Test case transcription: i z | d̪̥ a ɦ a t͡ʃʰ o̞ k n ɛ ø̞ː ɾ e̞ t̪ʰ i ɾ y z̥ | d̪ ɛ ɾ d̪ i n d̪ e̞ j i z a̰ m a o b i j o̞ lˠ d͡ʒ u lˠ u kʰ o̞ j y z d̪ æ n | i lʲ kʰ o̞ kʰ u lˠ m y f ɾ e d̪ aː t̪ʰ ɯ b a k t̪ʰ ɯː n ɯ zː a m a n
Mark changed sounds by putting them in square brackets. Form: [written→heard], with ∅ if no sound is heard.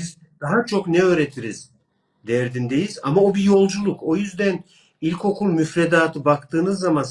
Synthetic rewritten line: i z | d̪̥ a ɦ a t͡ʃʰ o̞ k n ɛ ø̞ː ɾ e̞ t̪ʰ i ɾ [y→i] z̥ | d̪ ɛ ɾ d̪ i n d̪ e̞ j i z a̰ m a o b i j o̞ lˠ d͡ʒ u lˠ u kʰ o̞ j y z d̪ æ n | i lʲ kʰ o̞ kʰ u lˠ m y f ɾ e d̪ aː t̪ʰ ɯ b a k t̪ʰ ɯː n ɯ zː a m a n